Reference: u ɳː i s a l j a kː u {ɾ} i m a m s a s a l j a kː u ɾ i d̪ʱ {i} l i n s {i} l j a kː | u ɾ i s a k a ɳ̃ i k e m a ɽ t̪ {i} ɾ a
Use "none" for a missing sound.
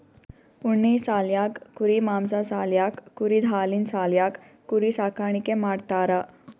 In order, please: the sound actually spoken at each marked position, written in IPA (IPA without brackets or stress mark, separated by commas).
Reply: ɾ, a, a, a